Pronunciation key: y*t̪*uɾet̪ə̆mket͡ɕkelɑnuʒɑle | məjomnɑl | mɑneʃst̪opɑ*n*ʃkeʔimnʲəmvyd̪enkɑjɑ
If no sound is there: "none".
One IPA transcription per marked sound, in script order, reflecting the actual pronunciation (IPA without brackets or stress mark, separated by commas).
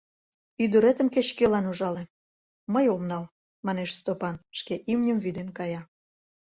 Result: d̪, n